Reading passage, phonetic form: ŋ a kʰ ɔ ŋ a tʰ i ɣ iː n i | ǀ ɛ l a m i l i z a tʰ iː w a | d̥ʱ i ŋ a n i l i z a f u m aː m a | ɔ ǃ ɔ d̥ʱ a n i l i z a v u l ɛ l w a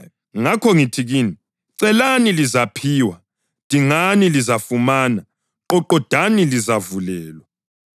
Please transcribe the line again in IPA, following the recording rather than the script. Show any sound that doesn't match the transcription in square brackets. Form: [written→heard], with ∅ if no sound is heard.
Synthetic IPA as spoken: ŋ a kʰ ɔ ŋ [a→i] tʰ i ɣ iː n i | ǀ ɛ l a [m→n] i l i z a [tʰ→pʰ] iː w a | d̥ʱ i ŋ a n i l i z a f u m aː [m→n] a | ɔ ǃ ɔ d̥ʱ a n i l i z a v u l [ɛ→ɛː] l w a